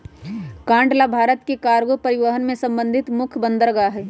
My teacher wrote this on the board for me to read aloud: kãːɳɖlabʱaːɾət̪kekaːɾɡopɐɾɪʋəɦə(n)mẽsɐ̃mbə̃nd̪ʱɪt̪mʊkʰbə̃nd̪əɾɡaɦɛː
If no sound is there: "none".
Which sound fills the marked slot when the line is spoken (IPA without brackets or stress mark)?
n